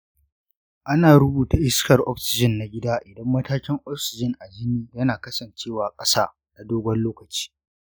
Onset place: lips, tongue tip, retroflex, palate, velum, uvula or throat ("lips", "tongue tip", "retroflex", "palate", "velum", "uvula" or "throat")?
throat